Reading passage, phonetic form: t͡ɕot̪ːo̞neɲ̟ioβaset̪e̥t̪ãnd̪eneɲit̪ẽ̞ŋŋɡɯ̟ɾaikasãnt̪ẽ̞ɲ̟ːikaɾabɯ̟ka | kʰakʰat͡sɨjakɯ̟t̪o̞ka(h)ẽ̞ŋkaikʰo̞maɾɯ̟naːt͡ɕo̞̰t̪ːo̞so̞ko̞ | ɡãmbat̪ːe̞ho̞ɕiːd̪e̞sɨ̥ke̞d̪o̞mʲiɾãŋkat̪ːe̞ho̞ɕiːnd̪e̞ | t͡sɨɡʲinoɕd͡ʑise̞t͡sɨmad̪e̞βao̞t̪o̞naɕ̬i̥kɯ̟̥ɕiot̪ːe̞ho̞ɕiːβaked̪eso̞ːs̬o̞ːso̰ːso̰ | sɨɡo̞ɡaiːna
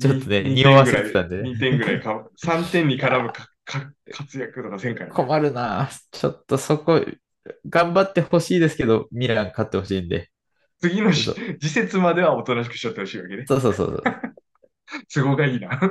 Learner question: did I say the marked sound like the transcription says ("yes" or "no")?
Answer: no